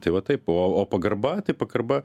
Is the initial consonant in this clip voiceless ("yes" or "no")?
yes